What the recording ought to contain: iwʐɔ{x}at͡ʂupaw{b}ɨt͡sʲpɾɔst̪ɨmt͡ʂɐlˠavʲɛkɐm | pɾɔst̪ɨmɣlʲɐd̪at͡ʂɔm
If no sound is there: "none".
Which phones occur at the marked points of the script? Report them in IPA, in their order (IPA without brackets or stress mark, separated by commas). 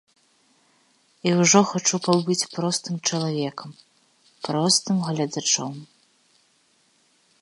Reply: x, b